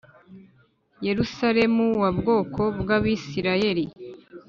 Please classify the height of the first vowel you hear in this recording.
mid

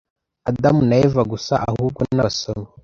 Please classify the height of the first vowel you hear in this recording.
low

